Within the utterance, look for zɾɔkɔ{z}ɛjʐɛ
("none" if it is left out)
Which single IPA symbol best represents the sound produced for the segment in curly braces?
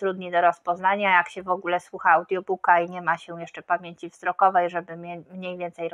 v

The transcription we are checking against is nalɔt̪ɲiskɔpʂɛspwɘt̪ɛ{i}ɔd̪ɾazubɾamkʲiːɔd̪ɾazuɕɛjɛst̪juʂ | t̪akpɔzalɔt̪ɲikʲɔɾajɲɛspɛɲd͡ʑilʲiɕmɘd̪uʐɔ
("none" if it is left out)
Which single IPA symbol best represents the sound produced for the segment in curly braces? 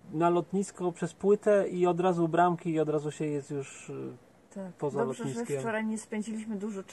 i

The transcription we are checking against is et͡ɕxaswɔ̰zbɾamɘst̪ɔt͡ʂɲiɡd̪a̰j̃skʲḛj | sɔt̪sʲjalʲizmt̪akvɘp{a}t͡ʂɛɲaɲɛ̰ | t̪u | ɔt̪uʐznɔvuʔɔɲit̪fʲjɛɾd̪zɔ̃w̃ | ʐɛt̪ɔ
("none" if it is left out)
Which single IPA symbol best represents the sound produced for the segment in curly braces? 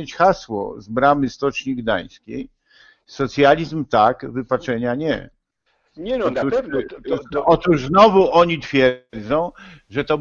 a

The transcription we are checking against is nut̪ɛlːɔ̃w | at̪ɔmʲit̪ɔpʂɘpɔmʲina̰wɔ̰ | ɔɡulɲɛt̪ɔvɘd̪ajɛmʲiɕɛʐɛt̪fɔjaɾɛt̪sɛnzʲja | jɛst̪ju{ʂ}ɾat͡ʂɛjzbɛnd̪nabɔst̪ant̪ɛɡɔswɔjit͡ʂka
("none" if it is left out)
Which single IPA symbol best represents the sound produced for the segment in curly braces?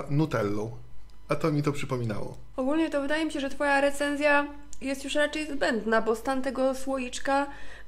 ʂ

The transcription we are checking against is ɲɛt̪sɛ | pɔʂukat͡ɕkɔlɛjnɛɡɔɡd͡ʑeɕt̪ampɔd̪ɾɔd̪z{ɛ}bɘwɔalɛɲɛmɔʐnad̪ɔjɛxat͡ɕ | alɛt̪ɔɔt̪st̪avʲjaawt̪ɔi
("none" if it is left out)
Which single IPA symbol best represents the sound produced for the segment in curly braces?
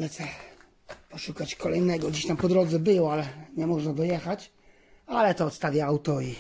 ɛ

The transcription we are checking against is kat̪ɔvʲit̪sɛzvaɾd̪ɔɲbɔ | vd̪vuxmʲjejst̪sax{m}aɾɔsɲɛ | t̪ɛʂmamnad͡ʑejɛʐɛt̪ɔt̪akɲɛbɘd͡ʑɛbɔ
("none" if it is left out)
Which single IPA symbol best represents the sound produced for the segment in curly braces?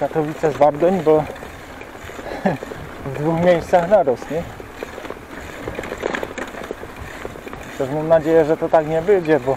n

